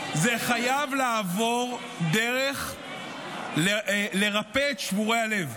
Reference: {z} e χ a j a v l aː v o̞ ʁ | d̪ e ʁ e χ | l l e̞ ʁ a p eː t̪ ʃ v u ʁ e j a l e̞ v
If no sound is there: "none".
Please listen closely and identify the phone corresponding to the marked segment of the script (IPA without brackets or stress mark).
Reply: z